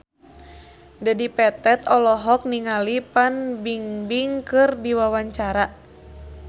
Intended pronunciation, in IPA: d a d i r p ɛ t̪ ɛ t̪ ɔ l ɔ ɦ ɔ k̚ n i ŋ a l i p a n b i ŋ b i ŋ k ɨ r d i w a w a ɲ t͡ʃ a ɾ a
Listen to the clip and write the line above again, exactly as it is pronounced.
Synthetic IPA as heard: d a d i p ɛ t̪ ɛ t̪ ɔ l ɔ ɦ ɔ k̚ n i ŋ a l i p a n b i ŋ b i ŋ k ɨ r d i w a w a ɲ t͡ʃ a ɾ a